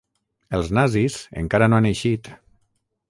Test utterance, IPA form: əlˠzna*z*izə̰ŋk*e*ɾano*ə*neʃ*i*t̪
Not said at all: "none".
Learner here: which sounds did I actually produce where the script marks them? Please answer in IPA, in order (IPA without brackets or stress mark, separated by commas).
z, a, a, i